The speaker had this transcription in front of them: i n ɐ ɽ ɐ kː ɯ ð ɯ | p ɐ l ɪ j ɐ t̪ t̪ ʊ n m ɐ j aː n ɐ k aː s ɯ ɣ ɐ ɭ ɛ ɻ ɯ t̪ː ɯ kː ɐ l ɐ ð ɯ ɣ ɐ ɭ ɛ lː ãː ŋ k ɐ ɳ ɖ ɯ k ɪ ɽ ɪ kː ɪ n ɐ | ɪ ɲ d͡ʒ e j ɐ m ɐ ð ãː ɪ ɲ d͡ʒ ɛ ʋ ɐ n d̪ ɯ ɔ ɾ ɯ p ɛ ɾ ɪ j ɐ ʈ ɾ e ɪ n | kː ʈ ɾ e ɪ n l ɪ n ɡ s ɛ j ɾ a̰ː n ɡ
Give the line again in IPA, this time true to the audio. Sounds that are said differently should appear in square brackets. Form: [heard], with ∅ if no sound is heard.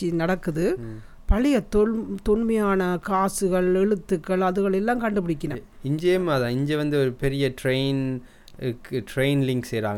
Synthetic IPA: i n ɐ ɽ ɐ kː ɯ ð ɯ | p ɐ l ɪ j ɐ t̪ t̪ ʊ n m ɐ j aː n ɐ k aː s ɯ ɣ ɐ ɭ ɛ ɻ ɯ t̪ː ɯ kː ɐ [ɭ] ɐ ð ɯ ɣ ɐ ɭ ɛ lː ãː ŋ k ɐ ɳ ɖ ɯ [p] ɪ ɽ ɪ kː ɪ n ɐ | ɪ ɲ d͡ʒ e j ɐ m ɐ ð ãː ɪ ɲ d͡ʒ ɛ ʋ ɐ n d̪ ɯ ɔ ɾ ɯ p ɛ ɾ ɪ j ɐ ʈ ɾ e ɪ n | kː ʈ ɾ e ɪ n l ɪ [ŋ] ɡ s ɛ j ɾ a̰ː [ŋ] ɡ